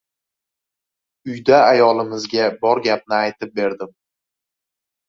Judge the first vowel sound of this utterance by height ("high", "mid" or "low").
high